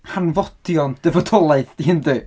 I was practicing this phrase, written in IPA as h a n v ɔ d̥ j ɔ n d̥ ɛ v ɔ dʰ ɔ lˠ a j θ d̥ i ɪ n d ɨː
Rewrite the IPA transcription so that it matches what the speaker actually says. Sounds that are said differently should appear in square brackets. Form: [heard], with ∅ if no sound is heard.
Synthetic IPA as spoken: h a n v ɔ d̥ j ɔ n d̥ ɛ v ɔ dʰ ɔ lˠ a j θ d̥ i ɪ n d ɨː